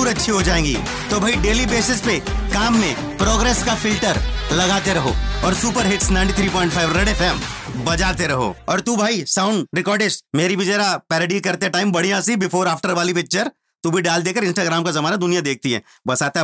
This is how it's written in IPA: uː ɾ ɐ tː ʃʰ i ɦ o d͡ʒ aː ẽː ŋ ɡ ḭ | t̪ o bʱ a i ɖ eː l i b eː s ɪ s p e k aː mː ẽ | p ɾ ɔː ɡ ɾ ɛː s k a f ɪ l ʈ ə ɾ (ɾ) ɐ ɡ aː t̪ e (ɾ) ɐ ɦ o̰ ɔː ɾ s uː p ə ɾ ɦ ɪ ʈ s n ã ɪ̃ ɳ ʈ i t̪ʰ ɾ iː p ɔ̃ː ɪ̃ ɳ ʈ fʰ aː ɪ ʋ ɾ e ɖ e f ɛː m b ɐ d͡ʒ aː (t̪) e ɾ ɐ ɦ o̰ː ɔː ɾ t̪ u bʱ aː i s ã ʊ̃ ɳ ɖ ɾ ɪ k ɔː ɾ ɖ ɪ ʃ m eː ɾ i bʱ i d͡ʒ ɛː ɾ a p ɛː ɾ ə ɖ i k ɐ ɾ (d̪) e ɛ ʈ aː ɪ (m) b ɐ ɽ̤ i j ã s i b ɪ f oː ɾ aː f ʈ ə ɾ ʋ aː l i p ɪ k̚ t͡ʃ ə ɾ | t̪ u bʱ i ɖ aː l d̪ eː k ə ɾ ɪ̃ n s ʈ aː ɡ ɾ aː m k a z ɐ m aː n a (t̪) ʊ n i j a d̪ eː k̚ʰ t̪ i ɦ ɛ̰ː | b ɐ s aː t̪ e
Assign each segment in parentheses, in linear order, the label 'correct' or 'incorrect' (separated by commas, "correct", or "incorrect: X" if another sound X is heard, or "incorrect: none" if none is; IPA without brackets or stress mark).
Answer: incorrect: l, correct, correct, incorrect: t̪, correct, incorrect: d̪